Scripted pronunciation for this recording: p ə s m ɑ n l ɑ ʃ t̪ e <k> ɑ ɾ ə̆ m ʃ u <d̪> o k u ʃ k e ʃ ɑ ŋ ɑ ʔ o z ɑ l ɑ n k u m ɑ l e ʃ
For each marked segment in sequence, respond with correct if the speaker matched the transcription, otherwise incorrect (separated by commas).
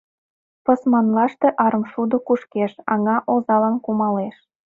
incorrect, correct